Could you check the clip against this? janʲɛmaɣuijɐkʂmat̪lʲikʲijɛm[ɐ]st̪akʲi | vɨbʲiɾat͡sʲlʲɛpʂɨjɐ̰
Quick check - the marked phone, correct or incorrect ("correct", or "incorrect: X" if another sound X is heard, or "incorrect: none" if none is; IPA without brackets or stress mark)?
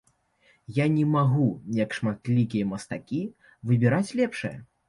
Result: correct